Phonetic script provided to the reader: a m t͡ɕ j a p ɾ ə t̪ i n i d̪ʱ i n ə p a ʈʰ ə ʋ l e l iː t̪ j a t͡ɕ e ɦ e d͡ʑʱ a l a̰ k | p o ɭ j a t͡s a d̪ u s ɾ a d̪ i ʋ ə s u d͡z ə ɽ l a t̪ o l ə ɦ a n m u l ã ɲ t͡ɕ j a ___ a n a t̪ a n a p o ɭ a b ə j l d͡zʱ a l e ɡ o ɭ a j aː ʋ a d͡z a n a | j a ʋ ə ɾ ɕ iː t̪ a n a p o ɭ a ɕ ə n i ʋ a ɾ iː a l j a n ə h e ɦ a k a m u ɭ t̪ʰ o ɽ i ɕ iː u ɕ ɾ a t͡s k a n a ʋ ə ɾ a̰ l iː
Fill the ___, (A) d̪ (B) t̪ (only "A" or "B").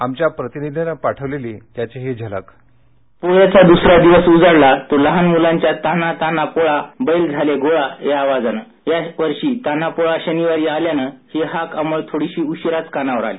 B